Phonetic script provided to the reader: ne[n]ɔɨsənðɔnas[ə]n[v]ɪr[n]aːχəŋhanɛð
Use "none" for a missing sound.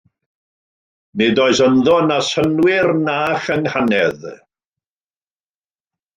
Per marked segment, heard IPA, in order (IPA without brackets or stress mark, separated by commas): d, ə, w, n